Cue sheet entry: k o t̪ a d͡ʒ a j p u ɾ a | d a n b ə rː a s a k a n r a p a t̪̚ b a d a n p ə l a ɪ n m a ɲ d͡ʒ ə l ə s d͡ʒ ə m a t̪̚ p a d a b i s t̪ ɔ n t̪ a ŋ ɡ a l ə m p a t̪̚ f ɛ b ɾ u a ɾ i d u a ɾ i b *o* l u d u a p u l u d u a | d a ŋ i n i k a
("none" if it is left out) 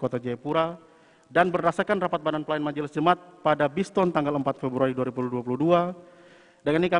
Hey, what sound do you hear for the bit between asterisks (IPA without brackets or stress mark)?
u